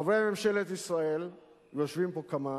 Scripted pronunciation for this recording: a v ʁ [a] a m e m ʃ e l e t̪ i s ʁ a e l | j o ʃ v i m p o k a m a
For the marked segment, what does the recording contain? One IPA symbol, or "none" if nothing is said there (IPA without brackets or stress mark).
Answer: e